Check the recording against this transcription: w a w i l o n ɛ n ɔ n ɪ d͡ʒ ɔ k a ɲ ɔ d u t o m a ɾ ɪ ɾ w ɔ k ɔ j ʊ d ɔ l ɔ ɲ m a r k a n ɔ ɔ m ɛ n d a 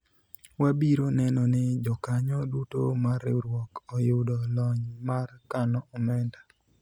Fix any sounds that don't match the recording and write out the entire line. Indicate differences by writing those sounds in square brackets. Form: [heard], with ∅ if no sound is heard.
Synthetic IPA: w a [b] i [ɾ] o n ɛ n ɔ n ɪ d͡ʒ ɔ k a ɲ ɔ d u t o m a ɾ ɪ ɾ w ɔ k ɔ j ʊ d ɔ l ɔ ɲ m a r k a n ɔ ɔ m ɛ n d a